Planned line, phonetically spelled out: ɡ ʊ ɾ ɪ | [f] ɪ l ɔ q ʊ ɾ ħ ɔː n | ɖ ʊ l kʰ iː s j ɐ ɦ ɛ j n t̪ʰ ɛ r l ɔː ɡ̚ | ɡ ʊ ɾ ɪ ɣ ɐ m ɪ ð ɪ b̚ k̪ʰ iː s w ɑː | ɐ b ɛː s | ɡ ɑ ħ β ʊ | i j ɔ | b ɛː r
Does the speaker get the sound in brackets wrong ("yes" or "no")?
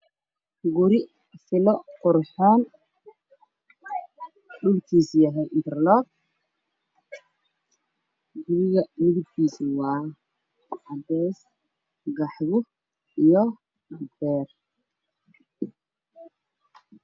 no